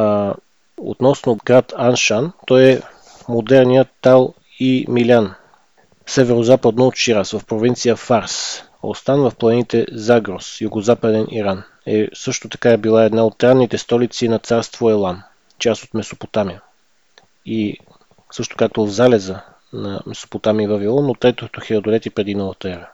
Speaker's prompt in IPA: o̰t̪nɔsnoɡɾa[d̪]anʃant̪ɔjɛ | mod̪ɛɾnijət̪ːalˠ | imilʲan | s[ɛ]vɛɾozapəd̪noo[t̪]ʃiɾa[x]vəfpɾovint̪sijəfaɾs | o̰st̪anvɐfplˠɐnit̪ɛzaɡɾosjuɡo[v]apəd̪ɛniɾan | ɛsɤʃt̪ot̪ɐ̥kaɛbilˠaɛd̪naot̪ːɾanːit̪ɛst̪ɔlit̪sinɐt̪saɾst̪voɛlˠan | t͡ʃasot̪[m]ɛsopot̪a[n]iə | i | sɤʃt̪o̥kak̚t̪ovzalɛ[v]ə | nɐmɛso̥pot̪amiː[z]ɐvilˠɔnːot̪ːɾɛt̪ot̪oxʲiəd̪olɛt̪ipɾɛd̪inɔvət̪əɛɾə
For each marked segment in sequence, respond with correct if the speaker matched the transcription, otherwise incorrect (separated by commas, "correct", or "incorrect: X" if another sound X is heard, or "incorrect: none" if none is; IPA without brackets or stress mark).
incorrect: t̪, correct, correct, incorrect: s, incorrect: z, correct, incorrect: m, incorrect: z, incorrect: v